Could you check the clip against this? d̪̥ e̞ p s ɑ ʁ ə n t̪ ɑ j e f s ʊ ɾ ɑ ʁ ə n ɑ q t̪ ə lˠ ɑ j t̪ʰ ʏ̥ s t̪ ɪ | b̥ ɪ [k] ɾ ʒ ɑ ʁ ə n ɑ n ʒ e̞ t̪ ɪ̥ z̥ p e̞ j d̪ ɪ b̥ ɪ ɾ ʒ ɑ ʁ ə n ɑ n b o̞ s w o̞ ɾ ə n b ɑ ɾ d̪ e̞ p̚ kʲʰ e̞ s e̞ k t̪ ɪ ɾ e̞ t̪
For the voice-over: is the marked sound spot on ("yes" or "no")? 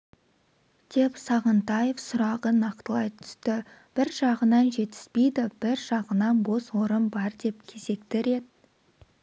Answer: no